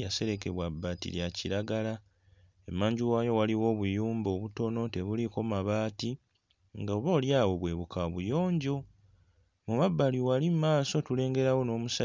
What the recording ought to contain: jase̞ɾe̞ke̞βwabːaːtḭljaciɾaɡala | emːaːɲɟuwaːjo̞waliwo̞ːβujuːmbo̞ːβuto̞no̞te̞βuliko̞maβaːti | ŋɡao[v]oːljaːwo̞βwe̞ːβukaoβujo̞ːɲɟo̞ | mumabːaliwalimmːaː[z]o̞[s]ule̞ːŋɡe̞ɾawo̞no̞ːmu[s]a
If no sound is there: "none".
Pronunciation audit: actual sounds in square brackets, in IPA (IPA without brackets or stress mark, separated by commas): β, s, t, s